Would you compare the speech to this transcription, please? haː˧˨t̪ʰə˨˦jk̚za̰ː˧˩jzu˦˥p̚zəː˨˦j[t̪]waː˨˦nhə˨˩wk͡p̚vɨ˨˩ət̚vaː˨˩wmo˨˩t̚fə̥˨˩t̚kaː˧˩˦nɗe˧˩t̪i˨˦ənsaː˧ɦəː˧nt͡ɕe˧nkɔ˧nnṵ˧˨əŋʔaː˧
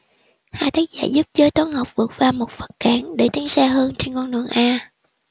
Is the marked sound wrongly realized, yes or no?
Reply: no